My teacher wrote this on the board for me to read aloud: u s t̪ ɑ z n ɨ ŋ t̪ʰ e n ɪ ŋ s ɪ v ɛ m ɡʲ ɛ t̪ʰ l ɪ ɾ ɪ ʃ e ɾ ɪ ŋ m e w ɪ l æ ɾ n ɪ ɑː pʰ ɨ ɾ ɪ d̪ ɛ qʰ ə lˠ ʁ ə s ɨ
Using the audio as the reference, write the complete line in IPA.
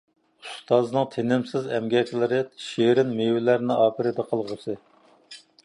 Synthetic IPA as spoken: u s t̪ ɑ z n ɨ ŋ t̪ʰ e n ɪ m s ɪ z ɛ m ɡʲ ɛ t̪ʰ l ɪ ɾ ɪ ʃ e ɾ ɪ n m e w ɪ l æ ɾ n ɪ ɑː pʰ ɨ ɾ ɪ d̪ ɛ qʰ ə lˠ ʁ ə s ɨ

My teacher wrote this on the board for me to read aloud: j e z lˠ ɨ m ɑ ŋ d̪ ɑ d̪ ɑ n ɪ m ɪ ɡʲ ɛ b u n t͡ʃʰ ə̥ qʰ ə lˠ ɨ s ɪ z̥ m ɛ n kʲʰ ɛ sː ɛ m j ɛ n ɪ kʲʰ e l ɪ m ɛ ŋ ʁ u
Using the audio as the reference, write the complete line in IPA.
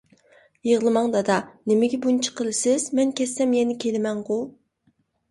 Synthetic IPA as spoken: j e ʁ lˠ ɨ m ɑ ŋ d̪ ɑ d̪ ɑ n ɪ m ɪ ɡʲ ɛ b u n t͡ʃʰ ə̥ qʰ ə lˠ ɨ s ɪ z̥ m ɛ n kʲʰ ɛ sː ɛ m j ɛ n ɪ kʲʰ e l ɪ m ɛ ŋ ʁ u

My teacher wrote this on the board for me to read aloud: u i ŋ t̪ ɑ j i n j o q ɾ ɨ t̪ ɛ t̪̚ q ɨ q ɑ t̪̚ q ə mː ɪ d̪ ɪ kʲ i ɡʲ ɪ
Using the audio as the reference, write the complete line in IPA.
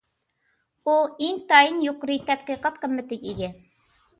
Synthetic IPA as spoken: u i ŋ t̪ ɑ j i n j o q ɾ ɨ t̪ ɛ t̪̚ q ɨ q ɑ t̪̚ q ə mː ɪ t̪ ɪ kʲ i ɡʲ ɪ

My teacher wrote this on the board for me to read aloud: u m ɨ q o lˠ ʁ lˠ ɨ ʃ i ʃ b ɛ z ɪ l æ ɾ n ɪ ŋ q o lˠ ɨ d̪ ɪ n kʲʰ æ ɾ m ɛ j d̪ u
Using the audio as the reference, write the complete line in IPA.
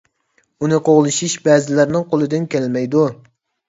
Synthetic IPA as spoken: u n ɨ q o ʁ lˠ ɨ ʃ i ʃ b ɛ z ɪ l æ ɾ n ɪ ŋ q o lˠ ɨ d̪ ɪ n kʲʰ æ l m ɛ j d̪ u

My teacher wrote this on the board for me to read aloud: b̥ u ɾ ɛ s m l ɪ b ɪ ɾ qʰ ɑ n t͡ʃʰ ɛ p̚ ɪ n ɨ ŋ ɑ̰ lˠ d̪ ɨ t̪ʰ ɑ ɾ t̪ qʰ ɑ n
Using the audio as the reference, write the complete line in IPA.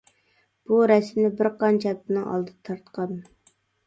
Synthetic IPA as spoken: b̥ u ɾ ɛ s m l ɪ b ɪ ɾ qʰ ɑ n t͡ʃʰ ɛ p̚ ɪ n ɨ ŋ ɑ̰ lˠ d̪ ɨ t̪ʰ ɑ ɾ t̪ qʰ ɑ n

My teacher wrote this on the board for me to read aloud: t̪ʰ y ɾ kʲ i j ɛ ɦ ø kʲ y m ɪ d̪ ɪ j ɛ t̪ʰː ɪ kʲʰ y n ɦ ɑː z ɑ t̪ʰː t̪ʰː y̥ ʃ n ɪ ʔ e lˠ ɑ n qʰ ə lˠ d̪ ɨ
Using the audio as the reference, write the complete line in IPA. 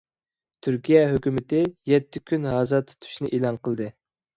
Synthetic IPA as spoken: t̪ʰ y ɾ kʲ i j ɛ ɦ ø kʲ y m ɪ t̪ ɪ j ɛ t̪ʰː ɪ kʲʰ y n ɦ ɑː z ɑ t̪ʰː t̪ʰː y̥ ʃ n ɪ ʔ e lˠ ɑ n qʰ ə lˠ d̪ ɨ

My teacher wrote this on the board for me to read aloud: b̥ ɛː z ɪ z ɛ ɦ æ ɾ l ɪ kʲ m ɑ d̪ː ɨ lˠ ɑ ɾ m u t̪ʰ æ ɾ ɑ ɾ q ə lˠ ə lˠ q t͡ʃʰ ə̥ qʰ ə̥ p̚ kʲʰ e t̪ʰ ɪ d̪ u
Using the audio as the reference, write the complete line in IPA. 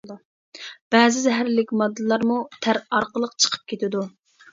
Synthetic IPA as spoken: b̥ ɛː z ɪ z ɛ ɦ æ ɾ l ɪ kʲ m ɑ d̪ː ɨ lˠ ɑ ɾ m u t̪ʰ æ ɾ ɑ ɾ q ə lˠ ə q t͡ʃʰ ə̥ qʰ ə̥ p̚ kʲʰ e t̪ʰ ɪ d̪ u

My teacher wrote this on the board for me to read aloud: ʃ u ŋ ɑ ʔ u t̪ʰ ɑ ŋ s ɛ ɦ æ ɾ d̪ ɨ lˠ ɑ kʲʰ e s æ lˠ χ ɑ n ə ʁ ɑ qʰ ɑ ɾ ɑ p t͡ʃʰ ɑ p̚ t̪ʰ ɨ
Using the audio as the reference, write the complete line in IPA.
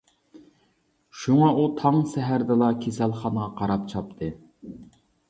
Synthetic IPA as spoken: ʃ u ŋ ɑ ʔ u t̪ʰ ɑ ŋ s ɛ ɦ æ ɾ d̪ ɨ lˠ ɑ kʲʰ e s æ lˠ χ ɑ n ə ʁ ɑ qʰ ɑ ɾ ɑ p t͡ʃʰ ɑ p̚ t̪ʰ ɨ

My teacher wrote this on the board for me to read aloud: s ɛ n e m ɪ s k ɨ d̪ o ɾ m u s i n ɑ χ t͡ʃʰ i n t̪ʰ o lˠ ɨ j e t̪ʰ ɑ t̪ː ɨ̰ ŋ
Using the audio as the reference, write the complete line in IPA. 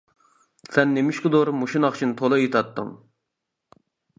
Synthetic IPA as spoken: s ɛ nː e m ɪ ʃ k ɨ d̪ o ɾ m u ʃ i n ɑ χ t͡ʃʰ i n t̪ʰ o lˠ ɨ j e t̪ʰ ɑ t̪ː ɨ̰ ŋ

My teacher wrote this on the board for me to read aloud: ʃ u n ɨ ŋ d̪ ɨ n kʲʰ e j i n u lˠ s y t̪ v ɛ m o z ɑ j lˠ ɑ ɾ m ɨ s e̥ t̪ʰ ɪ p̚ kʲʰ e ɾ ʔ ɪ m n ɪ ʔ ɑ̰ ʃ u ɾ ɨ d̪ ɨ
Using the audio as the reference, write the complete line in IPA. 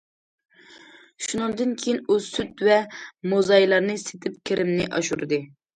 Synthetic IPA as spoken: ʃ u n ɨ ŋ d̪ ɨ n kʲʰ e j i n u s y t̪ v ɛ m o z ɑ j lˠ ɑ ɾ n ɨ s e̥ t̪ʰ ɪ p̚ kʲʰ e ɾ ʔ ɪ m n ɪ ʔ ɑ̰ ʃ u ɾ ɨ d̪ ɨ

